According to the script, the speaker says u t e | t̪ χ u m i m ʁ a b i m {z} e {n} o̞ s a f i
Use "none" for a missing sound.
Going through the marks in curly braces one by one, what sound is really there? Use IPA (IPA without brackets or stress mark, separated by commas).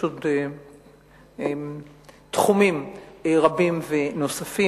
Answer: v, n